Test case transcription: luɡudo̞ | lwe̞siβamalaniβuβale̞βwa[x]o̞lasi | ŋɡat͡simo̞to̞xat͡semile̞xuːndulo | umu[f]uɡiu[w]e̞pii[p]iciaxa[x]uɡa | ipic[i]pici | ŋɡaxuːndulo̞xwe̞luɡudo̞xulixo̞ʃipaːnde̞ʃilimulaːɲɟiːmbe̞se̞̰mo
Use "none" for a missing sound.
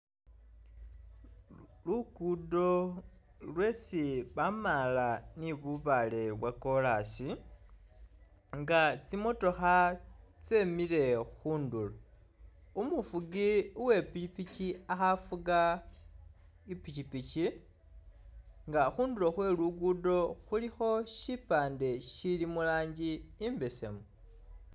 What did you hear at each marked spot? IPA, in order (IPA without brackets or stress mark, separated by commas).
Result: k, f, w, p, f, i